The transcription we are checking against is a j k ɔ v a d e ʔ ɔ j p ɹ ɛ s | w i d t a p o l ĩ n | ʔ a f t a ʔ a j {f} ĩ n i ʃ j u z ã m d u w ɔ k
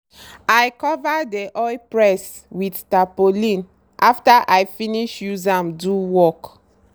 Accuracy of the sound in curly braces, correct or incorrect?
correct